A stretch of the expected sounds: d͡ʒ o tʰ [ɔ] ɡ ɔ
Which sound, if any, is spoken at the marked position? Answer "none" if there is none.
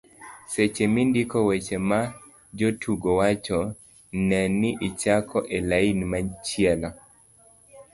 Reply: u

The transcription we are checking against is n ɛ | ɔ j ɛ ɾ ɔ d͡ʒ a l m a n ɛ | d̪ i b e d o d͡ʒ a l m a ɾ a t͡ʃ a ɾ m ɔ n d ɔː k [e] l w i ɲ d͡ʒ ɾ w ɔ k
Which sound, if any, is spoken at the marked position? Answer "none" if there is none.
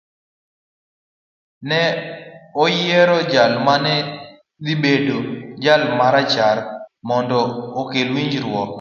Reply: e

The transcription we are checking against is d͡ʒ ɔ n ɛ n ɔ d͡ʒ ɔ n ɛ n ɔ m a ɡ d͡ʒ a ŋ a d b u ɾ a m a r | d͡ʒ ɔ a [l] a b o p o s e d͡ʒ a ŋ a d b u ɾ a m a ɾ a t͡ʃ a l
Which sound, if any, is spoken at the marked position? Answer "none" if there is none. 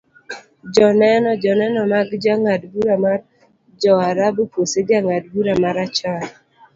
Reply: ɾ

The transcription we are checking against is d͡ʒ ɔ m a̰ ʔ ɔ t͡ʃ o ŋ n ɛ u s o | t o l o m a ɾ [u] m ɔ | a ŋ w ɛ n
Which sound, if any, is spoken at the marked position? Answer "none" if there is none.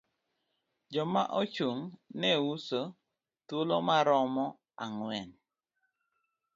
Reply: ɔ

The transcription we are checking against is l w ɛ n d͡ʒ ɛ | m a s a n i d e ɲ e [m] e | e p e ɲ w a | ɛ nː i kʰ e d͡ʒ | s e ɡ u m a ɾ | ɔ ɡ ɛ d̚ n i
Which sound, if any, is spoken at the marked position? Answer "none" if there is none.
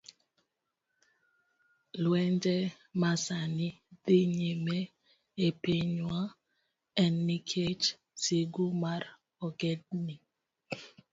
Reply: m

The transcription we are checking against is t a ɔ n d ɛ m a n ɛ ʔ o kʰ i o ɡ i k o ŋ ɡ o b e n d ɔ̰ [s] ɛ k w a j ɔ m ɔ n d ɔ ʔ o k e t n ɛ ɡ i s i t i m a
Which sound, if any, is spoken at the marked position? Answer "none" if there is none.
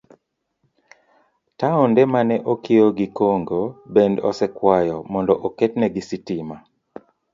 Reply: s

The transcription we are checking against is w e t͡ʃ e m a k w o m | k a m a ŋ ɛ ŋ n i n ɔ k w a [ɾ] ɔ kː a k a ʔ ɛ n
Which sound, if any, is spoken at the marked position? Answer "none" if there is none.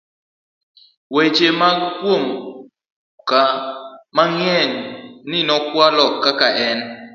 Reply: l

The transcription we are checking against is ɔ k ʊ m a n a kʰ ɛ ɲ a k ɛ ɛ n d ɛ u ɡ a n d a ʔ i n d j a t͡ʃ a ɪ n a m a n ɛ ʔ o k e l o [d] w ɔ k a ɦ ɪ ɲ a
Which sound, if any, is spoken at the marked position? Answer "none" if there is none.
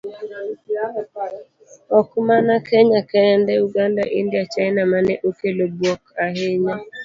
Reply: b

